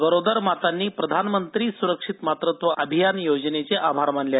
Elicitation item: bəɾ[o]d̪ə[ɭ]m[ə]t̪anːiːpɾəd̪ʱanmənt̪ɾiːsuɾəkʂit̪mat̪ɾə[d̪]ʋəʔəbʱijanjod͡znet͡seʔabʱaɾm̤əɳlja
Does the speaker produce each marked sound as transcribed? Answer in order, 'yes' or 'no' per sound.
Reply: yes, no, no, no

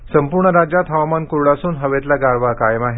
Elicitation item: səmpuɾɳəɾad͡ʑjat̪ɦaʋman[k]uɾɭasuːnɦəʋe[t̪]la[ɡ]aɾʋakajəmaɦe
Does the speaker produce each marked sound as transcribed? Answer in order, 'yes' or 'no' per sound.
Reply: yes, yes, yes

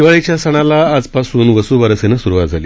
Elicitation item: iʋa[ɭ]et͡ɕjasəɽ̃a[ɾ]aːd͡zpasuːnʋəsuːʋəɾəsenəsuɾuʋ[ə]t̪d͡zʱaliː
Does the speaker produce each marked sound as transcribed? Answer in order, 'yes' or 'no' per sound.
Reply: yes, no, no

